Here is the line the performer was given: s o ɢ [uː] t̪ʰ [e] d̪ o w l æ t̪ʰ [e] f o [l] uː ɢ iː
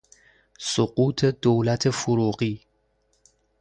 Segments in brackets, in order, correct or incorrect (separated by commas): correct, correct, correct, incorrect